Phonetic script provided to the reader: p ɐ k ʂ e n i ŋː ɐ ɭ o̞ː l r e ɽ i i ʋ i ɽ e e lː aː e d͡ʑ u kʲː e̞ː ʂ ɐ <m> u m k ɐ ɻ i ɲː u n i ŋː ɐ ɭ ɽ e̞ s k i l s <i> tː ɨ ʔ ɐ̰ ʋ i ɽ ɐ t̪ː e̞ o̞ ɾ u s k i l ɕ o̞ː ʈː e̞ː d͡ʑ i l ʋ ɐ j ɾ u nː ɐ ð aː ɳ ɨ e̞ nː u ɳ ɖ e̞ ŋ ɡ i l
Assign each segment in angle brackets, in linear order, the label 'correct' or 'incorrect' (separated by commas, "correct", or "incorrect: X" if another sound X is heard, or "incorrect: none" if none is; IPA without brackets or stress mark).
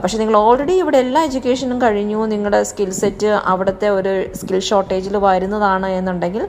incorrect: n, incorrect: e